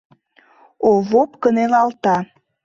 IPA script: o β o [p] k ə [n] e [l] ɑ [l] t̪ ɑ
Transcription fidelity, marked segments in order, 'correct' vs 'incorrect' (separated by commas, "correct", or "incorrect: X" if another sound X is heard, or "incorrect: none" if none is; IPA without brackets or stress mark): correct, correct, correct, correct